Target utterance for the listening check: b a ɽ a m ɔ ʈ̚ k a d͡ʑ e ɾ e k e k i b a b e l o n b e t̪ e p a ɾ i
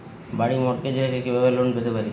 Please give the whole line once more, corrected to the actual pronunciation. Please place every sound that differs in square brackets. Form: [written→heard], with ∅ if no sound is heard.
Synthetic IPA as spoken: b a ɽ [a→i] m ɔ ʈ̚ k [a→e] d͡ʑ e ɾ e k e k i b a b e l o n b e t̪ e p a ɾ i